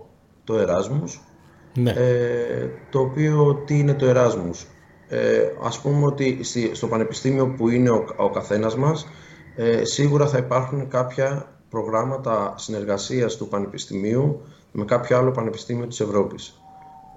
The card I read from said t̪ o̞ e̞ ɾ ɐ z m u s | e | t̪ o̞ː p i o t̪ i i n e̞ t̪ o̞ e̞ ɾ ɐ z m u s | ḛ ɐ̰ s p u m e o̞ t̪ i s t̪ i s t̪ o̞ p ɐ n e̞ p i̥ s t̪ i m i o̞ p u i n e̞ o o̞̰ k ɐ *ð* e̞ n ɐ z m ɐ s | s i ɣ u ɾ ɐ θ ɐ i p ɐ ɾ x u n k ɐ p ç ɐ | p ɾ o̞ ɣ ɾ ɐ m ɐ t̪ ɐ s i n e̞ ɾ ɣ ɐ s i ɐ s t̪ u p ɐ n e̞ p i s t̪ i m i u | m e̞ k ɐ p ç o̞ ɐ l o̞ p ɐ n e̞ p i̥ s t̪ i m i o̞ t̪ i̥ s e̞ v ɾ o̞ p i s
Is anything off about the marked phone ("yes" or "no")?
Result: yes